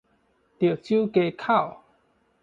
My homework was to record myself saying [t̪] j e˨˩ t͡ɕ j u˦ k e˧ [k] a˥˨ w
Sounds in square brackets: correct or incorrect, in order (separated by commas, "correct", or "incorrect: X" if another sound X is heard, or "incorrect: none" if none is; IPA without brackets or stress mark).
correct, incorrect: kʰ